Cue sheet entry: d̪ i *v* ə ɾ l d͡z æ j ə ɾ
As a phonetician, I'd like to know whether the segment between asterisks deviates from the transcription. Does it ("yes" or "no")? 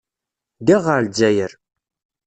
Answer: yes